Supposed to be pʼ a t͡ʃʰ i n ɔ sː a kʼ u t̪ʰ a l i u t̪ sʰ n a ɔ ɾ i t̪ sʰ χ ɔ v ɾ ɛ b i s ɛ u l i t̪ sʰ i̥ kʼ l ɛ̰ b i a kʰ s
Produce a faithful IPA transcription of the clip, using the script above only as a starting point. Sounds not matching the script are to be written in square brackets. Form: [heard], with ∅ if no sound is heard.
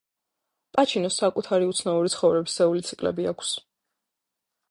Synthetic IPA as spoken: pʼ a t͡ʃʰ i n ɔ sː a kʼ u t̪ʰ a [ɾ] i u t̪ sʰ n a [u] ɾ i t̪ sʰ χ ɔ v ɾ ɛ b i s ɛ u l i t̪ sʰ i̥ kʼ l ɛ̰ b i a kʰ s